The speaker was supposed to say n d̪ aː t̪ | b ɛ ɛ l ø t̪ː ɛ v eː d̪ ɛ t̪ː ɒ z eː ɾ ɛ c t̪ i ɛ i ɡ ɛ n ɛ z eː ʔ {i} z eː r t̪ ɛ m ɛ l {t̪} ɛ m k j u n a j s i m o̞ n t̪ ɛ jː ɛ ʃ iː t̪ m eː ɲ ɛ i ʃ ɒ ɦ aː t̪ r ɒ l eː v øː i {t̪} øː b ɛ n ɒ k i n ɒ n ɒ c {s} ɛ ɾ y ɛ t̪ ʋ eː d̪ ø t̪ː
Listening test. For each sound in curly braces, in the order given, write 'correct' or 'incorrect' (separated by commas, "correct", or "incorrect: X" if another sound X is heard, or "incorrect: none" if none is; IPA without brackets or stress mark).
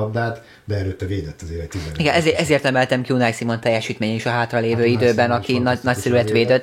incorrect: ɛ, correct, incorrect: d̪, correct